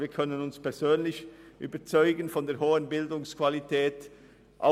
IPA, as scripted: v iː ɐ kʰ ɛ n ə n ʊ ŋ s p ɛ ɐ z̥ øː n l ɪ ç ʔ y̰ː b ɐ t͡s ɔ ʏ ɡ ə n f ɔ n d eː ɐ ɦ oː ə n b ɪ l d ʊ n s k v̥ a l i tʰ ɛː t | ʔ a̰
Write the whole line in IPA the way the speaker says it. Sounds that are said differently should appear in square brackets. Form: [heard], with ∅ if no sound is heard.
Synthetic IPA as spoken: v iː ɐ kʰ [œ] n ə n ʊ [n] s p ɛ ɐ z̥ øː n l ɪ ç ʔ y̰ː b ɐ t͡s ɔ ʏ ɡ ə n f ɔ n d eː ɐ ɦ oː ə n b ɪ l d ʊ [ŋ] s k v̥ a l i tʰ ɛː t | ʔ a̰